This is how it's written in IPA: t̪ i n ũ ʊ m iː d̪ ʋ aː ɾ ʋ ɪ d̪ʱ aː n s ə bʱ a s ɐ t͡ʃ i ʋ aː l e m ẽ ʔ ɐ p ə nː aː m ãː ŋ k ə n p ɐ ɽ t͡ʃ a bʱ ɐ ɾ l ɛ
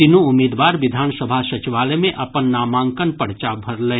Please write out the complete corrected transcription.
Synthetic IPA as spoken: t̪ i n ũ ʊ m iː d̪ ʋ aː ɾ ʋ ɪ d̪ʱ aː n s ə bʱ a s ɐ t͡ʃ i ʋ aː l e m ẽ ʔ ɐ p ə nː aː m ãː ŋ k ə n p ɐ ɽ t͡ʃ a bʱ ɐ ɾ l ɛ